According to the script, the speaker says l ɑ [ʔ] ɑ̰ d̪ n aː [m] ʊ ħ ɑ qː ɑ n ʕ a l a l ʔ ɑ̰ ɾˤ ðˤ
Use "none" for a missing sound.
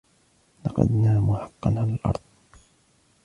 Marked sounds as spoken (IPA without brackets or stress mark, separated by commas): q, m